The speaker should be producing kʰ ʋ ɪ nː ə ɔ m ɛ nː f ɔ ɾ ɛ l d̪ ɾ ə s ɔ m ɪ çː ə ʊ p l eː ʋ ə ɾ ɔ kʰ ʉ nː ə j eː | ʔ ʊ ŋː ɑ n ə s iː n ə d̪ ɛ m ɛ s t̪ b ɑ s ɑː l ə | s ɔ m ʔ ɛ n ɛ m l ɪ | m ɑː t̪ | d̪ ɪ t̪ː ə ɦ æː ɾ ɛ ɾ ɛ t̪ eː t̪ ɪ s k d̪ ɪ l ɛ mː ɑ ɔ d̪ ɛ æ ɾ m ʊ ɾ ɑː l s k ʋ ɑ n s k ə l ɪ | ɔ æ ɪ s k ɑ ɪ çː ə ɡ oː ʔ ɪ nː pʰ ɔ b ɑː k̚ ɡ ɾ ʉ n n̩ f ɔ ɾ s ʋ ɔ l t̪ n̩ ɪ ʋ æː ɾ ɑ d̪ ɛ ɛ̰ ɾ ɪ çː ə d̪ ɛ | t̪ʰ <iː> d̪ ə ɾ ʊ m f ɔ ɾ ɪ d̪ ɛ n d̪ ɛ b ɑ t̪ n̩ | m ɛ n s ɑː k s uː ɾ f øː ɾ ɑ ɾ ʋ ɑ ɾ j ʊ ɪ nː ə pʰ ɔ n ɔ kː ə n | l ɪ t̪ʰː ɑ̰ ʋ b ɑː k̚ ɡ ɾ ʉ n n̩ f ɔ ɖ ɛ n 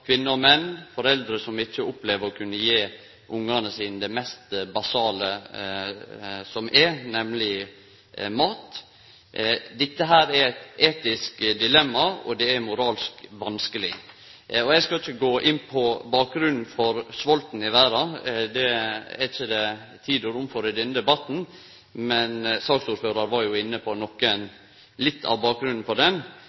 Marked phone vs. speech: correct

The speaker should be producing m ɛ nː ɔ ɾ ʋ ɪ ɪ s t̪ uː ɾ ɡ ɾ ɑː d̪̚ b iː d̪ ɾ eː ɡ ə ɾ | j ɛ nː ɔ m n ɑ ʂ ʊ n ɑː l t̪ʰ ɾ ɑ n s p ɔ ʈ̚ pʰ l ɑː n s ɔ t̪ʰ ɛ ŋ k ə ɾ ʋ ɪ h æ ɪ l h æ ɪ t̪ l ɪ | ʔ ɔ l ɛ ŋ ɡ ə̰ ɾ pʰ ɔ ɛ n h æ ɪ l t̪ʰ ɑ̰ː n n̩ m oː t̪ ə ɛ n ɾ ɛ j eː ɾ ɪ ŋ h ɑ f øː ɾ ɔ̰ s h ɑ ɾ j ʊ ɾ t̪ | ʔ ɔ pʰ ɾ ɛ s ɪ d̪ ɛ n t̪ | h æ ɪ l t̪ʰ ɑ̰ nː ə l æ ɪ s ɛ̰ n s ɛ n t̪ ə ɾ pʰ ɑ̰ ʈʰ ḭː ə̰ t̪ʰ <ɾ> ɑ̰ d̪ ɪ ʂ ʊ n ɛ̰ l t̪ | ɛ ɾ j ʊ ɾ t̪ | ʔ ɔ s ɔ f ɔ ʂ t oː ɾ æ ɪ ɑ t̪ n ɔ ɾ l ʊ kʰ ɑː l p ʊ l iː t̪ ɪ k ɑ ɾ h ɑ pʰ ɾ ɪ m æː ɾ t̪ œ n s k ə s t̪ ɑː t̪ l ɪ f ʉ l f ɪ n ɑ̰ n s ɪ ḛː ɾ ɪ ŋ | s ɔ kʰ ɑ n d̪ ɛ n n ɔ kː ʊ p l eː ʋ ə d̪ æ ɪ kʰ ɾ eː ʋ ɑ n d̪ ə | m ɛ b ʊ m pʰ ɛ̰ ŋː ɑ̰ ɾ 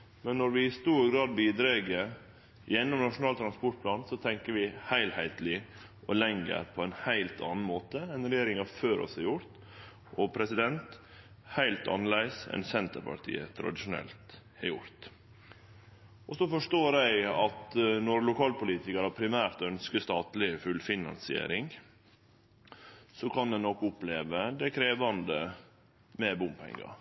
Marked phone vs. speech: correct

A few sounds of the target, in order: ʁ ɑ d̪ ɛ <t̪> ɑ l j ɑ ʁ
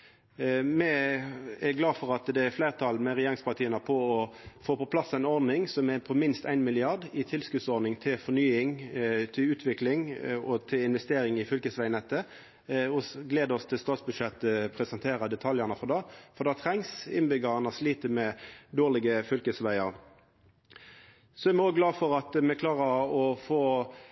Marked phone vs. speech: incorrect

